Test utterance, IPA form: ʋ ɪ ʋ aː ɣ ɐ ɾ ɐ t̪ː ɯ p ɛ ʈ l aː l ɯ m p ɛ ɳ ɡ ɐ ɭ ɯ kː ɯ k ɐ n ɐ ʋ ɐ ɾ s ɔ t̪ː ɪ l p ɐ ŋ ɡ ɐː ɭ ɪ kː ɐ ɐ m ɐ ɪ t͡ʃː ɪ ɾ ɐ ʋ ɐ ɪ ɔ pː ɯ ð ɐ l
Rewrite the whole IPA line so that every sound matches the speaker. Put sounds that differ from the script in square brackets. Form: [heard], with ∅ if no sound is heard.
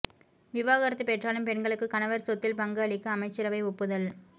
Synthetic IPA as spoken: ʋ ɪ ʋ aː ɣ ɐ ɾ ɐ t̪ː ɯ p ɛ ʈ [r] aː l ɯ m p ɛ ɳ ɡ ɐ ɭ ɯ kː ɯ k ɐ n ɐ ʋ ɐ ɾ s ɔ t̪ː ɪ l p ɐ ŋ ɡ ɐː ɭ ɪ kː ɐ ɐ m ɐ ɪ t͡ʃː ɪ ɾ ɐ ʋ ɐ ɪ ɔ pː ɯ ð ɐ l